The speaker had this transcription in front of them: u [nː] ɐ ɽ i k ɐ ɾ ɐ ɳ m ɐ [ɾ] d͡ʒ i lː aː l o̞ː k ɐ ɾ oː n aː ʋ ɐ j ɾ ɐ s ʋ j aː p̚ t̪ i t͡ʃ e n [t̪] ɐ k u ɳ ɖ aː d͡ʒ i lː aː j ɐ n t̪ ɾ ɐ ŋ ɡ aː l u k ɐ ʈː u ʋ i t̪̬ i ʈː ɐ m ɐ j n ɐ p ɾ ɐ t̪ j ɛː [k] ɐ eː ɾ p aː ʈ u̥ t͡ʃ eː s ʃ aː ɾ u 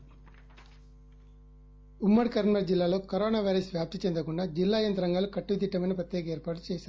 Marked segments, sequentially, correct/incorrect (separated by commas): incorrect, correct, incorrect, correct